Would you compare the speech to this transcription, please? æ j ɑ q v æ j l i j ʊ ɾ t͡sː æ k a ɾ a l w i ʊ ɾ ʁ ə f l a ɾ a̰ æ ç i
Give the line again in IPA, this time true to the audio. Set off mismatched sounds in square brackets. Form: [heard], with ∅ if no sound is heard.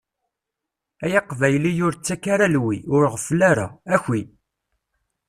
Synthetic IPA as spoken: æ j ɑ q v æ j l i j ʊ ɾ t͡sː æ k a ɾ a l w i ʊ ɾ ʁ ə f l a ɾ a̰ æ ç i